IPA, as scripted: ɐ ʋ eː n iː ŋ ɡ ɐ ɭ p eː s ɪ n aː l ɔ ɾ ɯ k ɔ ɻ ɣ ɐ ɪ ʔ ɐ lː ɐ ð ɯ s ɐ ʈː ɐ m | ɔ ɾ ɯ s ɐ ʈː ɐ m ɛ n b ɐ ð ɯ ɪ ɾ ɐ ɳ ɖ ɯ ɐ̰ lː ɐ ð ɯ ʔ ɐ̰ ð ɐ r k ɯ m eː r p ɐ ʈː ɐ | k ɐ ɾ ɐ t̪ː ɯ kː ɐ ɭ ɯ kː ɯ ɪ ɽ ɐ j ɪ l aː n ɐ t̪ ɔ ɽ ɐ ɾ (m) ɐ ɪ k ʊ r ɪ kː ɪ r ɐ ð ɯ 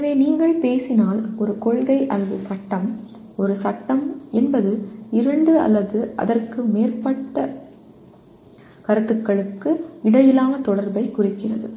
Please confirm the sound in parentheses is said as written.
no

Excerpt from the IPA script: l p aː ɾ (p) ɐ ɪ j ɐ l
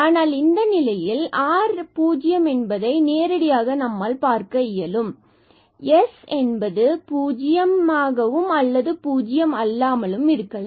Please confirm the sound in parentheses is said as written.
no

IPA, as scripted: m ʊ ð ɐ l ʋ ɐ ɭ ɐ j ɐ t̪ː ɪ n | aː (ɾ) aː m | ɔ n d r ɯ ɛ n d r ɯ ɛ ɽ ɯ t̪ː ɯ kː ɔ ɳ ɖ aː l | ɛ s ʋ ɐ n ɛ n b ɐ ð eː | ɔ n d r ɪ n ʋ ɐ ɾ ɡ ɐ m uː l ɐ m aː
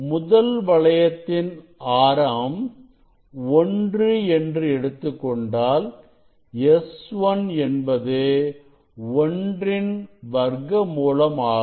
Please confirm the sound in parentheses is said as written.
yes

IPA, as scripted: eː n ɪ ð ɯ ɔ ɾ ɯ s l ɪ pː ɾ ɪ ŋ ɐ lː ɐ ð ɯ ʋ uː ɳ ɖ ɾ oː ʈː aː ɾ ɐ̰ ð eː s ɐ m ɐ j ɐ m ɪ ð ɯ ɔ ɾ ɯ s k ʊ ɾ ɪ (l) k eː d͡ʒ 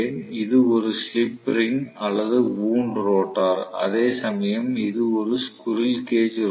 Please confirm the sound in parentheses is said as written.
yes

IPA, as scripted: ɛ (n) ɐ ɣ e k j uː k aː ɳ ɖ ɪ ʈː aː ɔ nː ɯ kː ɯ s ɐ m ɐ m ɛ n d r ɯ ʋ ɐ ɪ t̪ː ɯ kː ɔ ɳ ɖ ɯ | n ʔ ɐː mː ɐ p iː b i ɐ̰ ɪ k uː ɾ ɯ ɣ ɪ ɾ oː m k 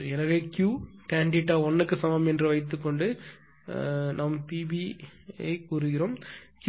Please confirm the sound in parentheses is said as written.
yes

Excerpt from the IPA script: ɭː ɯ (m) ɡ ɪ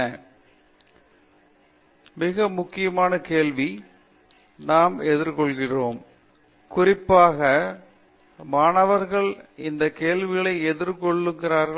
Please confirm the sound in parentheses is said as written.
no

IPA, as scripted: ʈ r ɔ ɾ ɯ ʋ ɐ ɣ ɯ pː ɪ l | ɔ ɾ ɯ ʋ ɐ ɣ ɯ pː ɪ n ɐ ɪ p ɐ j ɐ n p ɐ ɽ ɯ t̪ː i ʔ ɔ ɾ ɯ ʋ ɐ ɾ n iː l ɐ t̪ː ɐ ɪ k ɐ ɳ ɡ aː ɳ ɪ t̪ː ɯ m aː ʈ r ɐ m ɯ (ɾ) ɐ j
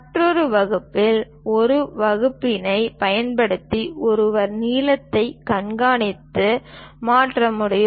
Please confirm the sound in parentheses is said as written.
no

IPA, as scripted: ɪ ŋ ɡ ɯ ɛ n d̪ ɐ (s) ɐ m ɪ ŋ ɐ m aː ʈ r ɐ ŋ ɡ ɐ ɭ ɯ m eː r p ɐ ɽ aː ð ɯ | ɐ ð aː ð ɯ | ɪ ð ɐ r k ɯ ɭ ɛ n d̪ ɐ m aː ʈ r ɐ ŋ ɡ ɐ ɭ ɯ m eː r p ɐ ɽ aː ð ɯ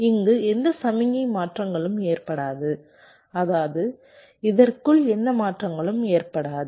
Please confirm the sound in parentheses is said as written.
yes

